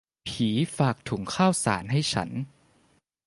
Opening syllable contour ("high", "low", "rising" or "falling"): rising